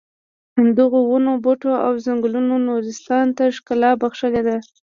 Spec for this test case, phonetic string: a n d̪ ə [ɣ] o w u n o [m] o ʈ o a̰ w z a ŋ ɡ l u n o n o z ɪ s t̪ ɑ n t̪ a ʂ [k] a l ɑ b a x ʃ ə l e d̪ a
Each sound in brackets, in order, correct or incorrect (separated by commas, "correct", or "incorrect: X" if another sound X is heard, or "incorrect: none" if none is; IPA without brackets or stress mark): correct, incorrect: b, correct